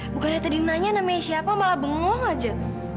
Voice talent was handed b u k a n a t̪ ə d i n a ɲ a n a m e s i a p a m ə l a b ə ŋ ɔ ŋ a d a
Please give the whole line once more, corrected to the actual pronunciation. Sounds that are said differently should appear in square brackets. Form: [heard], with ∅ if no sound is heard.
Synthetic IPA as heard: b u k a n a t̪ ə d i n a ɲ a n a m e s i a p a m [a] l a b ə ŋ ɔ ŋ a [d͡ʒ] a